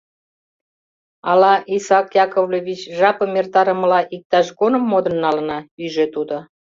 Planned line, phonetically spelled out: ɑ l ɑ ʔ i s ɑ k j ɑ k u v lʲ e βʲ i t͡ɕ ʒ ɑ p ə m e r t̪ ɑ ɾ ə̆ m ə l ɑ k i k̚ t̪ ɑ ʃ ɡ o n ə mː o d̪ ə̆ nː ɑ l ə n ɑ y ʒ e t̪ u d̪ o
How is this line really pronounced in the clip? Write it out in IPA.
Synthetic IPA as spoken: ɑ l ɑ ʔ i s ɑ k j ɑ k o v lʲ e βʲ i t͡ɕ ʒ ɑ p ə m e r t̪ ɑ ɾ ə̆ m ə l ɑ ʔ i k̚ t̪ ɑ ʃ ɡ o n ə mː o d̪ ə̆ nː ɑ l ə n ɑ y ʒ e t̪ u d̪ o